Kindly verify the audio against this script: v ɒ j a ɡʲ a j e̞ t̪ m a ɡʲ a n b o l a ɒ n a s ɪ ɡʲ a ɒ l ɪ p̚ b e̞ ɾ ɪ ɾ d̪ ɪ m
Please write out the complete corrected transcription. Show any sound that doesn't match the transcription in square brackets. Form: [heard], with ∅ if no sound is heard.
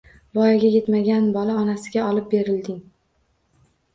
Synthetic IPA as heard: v ɒ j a ɡʲ a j e̞ t̪ m a ɡʲ a n b [ɒ] l a ɒ n a s ɪ ɡʲ a ɒ l ɪ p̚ b e̞ ɾ ɪ [l] d̪ ɪ [ŋ]